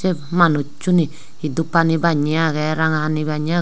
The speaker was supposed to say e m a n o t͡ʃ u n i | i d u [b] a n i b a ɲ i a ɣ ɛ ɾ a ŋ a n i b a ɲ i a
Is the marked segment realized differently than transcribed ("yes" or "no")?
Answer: yes